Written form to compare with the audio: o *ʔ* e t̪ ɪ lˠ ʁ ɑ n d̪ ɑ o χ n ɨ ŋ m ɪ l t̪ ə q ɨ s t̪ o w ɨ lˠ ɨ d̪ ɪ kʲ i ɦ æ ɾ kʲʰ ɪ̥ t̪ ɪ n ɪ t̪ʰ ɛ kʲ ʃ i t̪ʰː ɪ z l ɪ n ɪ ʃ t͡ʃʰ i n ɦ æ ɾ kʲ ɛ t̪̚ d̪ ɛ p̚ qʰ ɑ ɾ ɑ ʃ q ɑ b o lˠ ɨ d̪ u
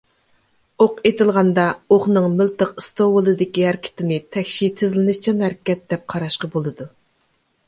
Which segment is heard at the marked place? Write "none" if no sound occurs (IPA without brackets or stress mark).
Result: q